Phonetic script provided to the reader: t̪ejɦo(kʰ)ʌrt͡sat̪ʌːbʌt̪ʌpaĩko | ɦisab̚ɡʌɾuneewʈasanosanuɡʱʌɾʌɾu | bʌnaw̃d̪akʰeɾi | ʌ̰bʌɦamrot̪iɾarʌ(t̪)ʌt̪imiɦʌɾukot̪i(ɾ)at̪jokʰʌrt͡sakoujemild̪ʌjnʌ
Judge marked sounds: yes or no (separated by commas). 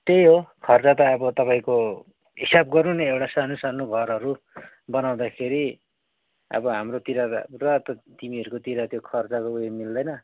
yes, yes, yes